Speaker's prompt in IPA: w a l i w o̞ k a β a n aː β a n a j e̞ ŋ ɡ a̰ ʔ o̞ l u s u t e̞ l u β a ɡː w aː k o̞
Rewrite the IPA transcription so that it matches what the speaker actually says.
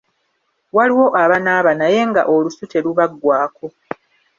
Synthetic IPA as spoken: w a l i w o̞ ʔ a β a n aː β a n a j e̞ ŋ ɡ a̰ ʔ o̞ l u s u t e̞ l u β a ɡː w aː k o̞